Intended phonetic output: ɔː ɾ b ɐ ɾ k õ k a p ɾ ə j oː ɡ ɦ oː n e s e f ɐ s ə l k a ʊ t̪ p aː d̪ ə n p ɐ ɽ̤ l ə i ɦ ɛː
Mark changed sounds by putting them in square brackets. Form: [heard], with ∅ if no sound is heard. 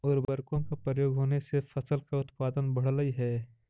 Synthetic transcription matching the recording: ɔː ɾ b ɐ ɾ k õ k a p ɾ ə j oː ɡ ɦ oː n e s e f ɐ s ə l k a ʊ t̪ p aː d̪ ə n [b] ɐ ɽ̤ l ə i ɦ ɛː